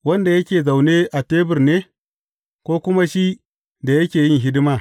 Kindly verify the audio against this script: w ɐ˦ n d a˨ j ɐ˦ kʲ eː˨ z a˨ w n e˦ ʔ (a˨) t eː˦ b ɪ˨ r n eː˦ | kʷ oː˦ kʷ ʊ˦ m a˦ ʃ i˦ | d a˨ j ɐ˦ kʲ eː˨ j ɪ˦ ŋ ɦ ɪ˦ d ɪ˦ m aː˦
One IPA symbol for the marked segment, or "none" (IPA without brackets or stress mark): a˨